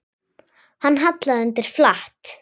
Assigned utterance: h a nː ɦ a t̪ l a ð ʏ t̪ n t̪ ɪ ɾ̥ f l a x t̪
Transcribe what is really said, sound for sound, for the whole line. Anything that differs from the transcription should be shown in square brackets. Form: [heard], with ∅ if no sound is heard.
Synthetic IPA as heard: h a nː ɦ a t̪ l a ð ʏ [∅] n t̪ ɪ ɾ̥ f l a [h] t̪